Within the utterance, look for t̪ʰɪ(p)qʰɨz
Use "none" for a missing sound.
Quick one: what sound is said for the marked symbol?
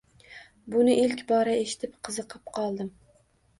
p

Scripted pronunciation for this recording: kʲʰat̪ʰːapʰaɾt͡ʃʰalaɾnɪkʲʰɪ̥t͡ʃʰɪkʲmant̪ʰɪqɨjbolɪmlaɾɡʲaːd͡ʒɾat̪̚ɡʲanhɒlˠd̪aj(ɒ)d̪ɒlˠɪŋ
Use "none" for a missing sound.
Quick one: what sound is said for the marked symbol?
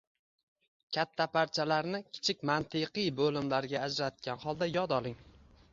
ɒ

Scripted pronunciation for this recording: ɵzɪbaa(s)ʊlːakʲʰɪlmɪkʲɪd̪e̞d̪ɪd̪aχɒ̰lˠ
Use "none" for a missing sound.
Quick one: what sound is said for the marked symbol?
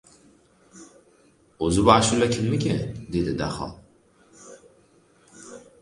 ʃ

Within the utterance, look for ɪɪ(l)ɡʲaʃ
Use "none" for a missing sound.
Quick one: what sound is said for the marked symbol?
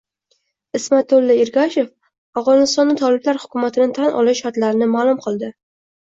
ɾ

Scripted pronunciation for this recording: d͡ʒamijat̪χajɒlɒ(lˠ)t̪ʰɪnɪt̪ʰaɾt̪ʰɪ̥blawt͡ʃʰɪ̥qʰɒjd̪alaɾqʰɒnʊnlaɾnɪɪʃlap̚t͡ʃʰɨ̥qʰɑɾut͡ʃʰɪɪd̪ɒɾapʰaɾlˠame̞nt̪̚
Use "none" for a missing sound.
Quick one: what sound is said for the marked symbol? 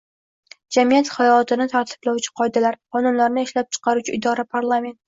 none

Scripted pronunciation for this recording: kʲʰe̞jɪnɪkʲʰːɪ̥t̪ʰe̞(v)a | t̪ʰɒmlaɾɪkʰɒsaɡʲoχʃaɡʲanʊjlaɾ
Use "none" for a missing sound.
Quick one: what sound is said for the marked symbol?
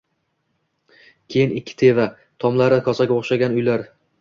v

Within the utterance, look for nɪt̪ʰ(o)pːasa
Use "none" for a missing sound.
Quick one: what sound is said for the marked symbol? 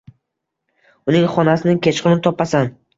ɒ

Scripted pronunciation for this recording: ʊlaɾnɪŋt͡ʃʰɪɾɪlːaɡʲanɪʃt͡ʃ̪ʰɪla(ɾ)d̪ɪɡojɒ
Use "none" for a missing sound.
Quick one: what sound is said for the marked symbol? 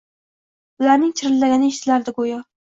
ɾ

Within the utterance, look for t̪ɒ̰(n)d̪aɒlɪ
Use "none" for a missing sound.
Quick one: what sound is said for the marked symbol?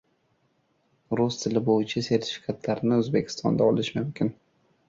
n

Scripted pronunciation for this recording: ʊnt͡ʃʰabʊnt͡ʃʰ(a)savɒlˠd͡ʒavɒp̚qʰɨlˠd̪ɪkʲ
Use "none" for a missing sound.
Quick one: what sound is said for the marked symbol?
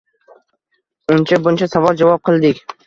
a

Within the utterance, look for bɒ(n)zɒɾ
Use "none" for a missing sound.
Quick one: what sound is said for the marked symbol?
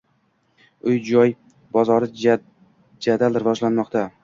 none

